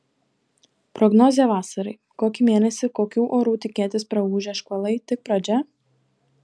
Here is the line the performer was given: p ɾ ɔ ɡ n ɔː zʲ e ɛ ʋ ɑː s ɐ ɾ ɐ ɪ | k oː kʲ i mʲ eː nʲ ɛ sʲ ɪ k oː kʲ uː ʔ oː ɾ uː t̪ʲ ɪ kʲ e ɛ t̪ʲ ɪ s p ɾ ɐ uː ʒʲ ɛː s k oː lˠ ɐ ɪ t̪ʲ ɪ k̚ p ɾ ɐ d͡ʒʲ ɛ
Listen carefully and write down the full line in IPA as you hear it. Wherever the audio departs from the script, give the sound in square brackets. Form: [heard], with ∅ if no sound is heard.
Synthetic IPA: p ɾ ɔ ɡ n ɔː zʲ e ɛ ʋ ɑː s ɐ ɾ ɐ ɪ | k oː kʲ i mʲ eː nʲ ɛ sʲ ɪ k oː kʲ uː ʔ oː ɾ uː t̪ʲ ɪ kʲ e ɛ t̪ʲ ɪ s p ɾ ɐ uː ʒʲ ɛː [ʃ] k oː lˠ ɐ ɪ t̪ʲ ɪ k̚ p ɾ ɐ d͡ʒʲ ɛ